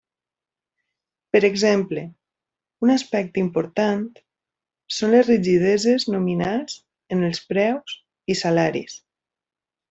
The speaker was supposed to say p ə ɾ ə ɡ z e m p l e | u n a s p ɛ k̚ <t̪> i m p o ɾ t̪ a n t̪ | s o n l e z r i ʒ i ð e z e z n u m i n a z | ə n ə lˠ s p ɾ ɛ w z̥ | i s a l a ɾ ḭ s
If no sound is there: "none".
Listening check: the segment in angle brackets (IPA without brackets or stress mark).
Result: t̪